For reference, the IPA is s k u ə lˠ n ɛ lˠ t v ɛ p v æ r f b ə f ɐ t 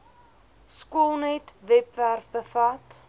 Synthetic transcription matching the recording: s k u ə lˠ n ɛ t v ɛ p v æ r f b ə f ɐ t